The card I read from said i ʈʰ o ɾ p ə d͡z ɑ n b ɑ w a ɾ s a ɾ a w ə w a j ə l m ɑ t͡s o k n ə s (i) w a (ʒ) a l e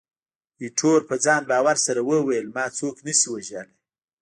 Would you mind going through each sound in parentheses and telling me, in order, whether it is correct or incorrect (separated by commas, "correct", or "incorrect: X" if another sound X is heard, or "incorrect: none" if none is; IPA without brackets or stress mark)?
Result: correct, correct